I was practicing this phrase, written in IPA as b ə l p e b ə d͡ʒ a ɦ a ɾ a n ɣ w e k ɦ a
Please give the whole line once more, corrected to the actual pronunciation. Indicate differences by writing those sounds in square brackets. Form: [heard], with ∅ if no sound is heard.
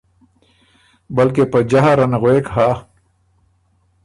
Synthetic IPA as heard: b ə l [k] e [p] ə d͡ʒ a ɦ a ɾ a n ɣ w e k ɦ a